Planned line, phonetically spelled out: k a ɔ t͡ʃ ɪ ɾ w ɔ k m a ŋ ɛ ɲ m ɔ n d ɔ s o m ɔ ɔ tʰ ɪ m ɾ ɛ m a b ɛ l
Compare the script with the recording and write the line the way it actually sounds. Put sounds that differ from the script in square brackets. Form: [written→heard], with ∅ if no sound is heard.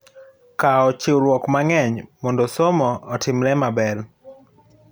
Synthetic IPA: k a ɔ t͡ʃ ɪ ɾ w ɔ k m a ŋ ɛ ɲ m ɔ n d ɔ s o m ɔ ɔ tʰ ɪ m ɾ ɛ m a b ɛ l